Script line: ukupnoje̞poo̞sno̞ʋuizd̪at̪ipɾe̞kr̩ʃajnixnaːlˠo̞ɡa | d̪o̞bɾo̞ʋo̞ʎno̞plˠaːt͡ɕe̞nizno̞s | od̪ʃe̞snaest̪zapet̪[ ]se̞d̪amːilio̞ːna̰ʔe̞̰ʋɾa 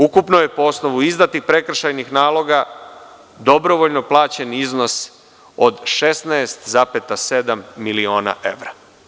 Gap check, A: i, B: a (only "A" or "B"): B